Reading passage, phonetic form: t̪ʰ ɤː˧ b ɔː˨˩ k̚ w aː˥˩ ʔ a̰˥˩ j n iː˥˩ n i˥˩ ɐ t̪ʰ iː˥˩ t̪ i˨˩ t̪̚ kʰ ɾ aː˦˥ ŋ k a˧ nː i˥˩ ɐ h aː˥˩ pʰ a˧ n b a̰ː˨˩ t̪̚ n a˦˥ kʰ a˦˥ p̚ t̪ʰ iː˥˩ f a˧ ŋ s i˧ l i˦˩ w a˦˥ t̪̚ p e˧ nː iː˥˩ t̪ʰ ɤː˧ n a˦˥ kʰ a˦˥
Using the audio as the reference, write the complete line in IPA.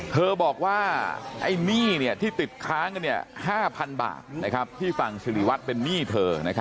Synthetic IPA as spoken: t̪ʰ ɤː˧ b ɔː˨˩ k̚ w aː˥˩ ʔ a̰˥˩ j n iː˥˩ n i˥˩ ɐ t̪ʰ iː˥˩ t̪ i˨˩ t̪̚ kʰ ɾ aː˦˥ ŋ k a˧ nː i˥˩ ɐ h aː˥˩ pʰ a˧ n b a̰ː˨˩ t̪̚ n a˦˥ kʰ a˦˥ p̚ t̪ʰ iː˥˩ f a˨˩ ŋ s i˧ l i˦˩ w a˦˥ t̪̚ p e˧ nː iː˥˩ t̪ʰ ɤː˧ n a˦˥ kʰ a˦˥